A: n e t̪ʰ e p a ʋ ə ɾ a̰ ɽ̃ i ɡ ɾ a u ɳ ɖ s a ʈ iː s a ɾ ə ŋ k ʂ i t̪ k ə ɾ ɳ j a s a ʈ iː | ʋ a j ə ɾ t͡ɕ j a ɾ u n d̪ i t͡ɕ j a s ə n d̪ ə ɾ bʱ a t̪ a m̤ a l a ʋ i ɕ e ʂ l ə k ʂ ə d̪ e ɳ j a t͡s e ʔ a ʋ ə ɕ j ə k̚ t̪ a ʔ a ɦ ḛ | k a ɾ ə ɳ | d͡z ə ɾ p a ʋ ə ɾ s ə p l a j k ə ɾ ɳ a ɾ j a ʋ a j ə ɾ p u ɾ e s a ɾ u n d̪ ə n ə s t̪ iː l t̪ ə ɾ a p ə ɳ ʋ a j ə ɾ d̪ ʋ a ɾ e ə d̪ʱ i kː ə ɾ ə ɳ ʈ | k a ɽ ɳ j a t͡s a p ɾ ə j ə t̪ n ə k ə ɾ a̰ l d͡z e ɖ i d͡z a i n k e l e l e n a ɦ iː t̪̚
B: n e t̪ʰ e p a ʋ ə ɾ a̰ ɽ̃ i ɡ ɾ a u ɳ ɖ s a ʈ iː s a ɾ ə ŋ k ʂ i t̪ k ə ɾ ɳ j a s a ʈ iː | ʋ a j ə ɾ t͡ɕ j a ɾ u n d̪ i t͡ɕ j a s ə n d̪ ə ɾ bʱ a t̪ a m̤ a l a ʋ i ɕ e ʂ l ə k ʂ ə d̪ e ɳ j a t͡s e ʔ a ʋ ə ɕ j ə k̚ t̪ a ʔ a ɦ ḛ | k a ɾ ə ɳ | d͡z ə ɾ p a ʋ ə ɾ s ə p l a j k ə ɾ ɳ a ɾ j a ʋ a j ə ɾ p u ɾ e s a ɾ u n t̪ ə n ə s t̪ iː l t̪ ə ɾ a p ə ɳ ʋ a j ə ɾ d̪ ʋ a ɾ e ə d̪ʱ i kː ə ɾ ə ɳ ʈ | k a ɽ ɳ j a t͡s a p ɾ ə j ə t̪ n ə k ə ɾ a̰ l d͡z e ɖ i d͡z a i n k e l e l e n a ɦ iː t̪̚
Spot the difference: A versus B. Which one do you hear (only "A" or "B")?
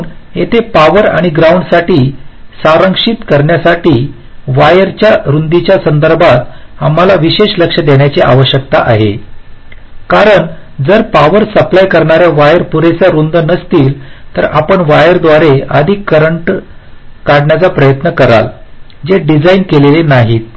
A